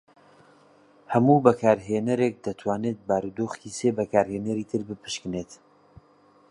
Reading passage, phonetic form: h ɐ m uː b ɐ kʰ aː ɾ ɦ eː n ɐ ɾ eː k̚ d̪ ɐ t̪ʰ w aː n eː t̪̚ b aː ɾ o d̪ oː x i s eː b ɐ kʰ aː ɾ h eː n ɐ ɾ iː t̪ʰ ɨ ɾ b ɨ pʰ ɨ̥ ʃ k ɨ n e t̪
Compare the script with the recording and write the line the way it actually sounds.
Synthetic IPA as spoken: h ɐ m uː b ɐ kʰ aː ɾ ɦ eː n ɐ ɾ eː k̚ d̪ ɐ t̪ʰ w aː n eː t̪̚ b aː ɾ u d̪ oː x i s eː b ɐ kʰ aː ɾ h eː n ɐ ɾ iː t̪ʰ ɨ ɾ b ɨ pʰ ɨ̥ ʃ k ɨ n e t̪